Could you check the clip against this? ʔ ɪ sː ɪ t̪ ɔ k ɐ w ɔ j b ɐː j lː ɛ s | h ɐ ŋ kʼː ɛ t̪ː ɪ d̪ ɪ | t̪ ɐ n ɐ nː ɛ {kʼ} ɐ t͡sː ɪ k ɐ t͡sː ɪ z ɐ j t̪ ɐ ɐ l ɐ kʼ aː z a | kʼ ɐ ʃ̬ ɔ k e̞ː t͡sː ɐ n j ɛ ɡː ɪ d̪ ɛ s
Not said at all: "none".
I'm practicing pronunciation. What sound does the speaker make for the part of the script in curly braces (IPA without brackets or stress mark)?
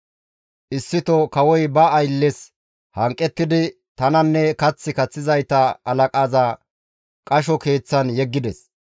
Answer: k